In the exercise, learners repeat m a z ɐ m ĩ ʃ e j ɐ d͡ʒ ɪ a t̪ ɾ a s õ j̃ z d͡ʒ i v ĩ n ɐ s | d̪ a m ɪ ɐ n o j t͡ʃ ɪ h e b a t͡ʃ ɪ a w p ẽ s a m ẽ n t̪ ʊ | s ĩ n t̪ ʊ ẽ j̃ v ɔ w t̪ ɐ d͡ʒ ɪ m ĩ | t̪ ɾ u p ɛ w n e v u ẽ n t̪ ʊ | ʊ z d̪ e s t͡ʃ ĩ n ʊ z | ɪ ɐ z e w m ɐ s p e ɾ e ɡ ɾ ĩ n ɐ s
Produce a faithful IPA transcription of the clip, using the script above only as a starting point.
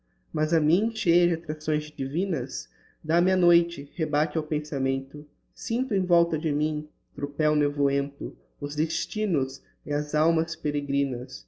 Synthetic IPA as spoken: m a z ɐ m ĩ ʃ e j ɐ d͡ʒ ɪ a t̪ ɾ a s õ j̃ z d͡ʒ i v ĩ n ɐ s | d̪ a m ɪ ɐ n o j t͡ʃ ɪ h e b a t͡ʃ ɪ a w p ẽ s a m ẽ n t̪ ʊ | s ĩ n t̪ ʊ ẽ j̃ v ɔ w t̪ ɐ d͡ʒ ɪ m ĩ | t̪ ɾ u p ɛ w n e v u ẽ n t̪ ʊ | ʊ z d̪ e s t͡ʃ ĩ n ʊ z | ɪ ɐ z a w m ɐ s p e ɾ e ɡ ɾ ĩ n ɐ s

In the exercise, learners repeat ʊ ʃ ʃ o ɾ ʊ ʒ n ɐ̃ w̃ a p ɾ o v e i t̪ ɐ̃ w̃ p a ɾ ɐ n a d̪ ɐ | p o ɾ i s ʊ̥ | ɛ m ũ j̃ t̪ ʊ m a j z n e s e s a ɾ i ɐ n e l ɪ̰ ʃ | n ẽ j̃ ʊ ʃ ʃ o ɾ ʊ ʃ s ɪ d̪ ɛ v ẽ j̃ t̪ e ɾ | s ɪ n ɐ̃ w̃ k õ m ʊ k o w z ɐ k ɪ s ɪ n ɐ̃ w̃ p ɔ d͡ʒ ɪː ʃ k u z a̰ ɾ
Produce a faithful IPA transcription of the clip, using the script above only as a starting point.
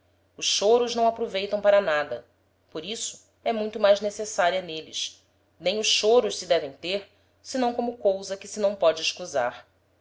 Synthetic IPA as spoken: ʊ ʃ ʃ o ɾ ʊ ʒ n ɐ̃ w̃ a p ɾ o v e j t̪ ɐ̃ w̃ p a ɾ ɐ n a d̪ ɐ | p o ɾ i s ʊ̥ | ɛ m ũ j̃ t̪ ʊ m a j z n e s e s a ɾ i ɐ n e l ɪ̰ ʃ | n ẽ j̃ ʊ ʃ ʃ o ɾ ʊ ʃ s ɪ d̪ ɛ v ẽ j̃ t̪ e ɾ | s ɪ n ɐ̃ w̃ k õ m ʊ k o w z ɐ k ɪ s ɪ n ɐ̃ w̃ p ɔ d͡ʒ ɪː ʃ k u z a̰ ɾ

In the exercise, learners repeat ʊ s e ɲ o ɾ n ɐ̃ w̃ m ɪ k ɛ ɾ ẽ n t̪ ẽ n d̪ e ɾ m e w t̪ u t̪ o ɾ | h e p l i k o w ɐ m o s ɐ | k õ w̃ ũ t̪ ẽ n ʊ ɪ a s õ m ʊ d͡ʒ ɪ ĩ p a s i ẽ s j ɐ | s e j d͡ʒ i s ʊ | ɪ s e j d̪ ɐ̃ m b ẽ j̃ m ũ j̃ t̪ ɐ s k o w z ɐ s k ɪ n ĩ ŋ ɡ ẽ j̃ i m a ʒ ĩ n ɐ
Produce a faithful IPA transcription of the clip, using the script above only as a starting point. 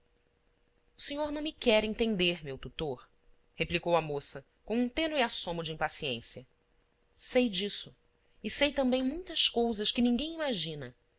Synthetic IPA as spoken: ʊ s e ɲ o ɾ n ɐ̃ w̃ m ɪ k ɛ ɾ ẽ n t̪ ẽ n d̪ e ɾ m e w t̪ u t̪ o ɾ | h e p l i k o w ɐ m o s ɐ | k õ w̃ ũ t̪ ẽ n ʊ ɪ a s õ m ʊ d͡ʒ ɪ ĩ p a s i ẽ s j ɐ | s e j d͡ʒ i s ʊ | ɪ s e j t̪ ɐ̃ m b ẽ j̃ m ũ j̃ t̪ ɐ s k o w z ɐ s k ɪ n ĩ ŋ ɡ ẽ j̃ i m a ʒ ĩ n ɐ

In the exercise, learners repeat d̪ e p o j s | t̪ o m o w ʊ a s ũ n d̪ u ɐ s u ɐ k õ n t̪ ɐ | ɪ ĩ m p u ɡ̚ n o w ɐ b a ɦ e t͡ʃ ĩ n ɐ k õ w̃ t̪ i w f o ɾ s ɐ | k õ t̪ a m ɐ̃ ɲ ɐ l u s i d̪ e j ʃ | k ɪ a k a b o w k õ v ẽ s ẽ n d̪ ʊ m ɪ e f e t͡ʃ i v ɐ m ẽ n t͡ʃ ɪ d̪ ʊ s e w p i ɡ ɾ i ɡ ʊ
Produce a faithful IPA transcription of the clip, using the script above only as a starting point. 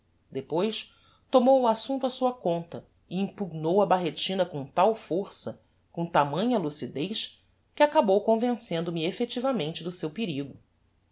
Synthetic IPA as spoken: d̪ e p o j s | t̪ o m o w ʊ a s ũ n t̪ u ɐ s u ɐ k õ n t̪ ɐ | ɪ ĩ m p u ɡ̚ n o w ɐ b a ɦ e t͡ʃ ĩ n ɐ k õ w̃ t̪ a w f o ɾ s ɐ | k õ t̪ a m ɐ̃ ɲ ɐ l u s i d̪ e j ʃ | k ɪ a k a b o w k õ v ẽ s ẽ n d̪ ʊ m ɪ e f e t͡ʃ i v ɐ m ẽ n t͡ʃ ɪ d̪ ʊ s e w p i ɾ i ɡ ʊ

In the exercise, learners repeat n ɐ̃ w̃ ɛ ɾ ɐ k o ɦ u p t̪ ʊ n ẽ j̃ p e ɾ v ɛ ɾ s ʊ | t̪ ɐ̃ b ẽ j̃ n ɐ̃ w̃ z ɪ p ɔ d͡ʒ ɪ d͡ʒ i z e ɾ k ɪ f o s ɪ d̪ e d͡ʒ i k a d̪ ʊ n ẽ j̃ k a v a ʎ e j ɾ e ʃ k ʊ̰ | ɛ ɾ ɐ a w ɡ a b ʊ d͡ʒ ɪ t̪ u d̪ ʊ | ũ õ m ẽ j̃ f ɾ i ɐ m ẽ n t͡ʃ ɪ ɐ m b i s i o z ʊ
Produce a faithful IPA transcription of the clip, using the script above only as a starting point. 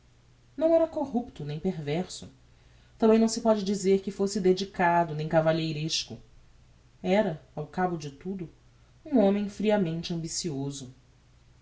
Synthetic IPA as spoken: n ɐ̃ w̃ ɛ ɾ ɐ k o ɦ u p t̪ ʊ n ẽ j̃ p e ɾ v ɛ ɾ s ʊ | t̪ ɐ̃ b ẽ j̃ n ɐ̃ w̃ s ɪ p ɔ d͡ʒ ɪ d͡ʒ i z e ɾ k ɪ f o s ɪ d̪ e d͡ʒ i k a d̪ ʊ n ẽ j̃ k a v a ʎ e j ɾ e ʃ k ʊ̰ | ɛ ɾ ɐ a w k a b ʊ d͡ʒ ɪ t̪ u d̪ ʊ | ũ õ m ẽ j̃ f ɾ i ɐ m ẽ n t͡ʃ ɪ ɐ̃ m b i s i o z ʊ

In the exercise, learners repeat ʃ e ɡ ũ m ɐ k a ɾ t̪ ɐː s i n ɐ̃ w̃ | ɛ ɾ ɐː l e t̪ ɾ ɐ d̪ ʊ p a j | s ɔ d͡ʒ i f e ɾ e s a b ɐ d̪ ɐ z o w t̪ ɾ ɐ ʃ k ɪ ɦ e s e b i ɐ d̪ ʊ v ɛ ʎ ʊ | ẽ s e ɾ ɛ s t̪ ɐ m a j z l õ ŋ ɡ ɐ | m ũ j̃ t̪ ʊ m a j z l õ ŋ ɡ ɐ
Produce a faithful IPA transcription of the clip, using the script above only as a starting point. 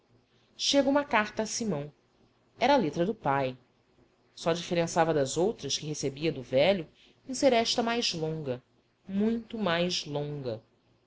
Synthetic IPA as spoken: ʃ e ɡ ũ m ɐ k a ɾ t̪ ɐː s i m ɐ̃ w̃ | ɛ ɾ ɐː l e t̪ ɾ ɐ d̪ ʊ p a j | s ɔ d͡ʒ i f e ɾ ẽ s a v ɐ d̪ ɐ z o w t̪ ɾ ɐ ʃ k ɪ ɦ e s e b i ɐ d̪ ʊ v ɛ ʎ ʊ | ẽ s e ɾ ɛ ʃ t̪ ɐ m a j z l õ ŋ ɡ ɐ | m ũ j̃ t̪ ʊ m a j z l õ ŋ ɡ ɐ

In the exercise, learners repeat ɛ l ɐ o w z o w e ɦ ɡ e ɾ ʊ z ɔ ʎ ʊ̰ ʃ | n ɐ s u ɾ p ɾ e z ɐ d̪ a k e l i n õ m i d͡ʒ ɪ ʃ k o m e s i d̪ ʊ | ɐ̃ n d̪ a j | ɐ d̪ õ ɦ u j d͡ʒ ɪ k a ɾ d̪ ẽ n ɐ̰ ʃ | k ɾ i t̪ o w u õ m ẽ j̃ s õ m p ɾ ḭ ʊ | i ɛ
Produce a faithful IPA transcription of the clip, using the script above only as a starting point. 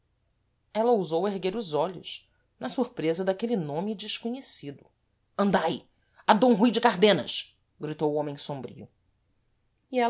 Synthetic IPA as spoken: ɛ l ɐ o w z o w e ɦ ɡ e ɾ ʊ z ɔ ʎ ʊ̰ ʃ | n ɐ s u ɾ p ɾ e z ɐ d̪ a k e l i n õ m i d͡ʒ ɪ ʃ k o ɲ e s i d̪ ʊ | ɐ̃ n d̪ a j | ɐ d̪ õ ɦ u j d͡ʒ ɪ k a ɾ d̪ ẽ n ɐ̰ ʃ | ɡ ɾ i t̪ o w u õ m ẽ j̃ s õ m b ɾ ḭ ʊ | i ɛ

